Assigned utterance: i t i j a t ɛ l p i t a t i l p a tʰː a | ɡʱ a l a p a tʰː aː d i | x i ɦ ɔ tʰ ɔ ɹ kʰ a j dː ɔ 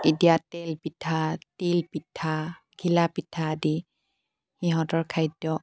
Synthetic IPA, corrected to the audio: i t i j a t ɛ l p i tʰ a t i l p i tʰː a | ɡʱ i l a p i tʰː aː d i | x i ɦ ɔ t ɔ ɹ kʰ a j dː ɔ